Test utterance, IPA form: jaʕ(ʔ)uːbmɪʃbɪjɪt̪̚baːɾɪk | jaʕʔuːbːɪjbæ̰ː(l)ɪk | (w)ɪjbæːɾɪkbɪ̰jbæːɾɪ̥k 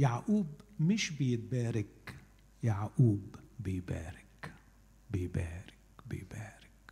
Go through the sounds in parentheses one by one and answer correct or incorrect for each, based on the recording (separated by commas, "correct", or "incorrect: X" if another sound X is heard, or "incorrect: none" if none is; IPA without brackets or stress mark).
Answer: correct, incorrect: ɾ, incorrect: b